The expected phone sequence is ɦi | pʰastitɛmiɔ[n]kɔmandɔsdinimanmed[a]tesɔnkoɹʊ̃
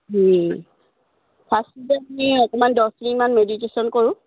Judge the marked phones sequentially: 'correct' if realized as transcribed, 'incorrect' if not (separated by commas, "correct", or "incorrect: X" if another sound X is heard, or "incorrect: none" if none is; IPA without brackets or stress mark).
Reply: incorrect: none, incorrect: i